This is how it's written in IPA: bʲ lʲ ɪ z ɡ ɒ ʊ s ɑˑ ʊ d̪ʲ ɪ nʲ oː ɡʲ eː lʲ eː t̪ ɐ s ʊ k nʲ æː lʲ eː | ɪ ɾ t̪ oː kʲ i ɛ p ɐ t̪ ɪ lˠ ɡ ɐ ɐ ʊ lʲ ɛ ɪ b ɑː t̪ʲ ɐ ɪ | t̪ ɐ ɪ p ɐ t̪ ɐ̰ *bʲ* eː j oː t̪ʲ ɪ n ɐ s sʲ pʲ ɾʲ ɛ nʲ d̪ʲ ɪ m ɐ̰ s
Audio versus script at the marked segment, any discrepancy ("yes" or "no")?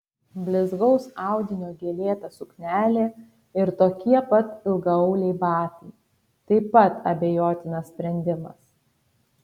no